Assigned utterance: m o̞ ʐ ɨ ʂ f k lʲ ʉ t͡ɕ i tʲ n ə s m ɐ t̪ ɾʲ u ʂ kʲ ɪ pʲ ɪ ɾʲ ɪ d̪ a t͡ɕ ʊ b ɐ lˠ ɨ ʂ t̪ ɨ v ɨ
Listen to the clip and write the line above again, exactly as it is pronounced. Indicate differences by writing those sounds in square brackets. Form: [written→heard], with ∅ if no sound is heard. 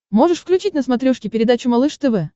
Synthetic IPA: m o̞ ʐ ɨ ʂ f k lʲ ʉ t͡ɕ i tʲ n ə s m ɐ t̪ ɾʲ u ʂ kʲ ɪ pʲ ɪ ɾʲ ɪ d̪ a t͡ɕ ʊ [b→m] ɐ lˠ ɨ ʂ t̪ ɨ v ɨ